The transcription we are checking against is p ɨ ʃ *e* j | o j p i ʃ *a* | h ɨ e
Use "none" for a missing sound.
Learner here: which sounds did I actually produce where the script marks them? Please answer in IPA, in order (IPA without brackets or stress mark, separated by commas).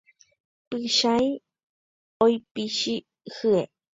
a, i